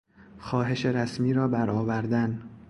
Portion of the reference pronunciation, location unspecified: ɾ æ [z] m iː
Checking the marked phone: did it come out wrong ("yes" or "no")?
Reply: yes